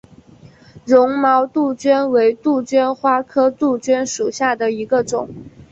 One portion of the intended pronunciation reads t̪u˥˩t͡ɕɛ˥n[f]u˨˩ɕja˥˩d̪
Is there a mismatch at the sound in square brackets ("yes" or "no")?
yes